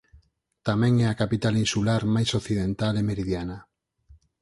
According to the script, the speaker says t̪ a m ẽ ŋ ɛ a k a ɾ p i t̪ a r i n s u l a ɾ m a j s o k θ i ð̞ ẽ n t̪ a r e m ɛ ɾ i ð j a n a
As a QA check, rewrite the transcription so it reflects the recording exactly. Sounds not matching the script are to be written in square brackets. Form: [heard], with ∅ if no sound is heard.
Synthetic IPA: t̪ a m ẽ ŋ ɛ a k a [∅] p i t̪ a [l] i n s u l a ɾ m a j s o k θ i ð̞ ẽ n t̪ a [l] e m [e] ɾ i ð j a n a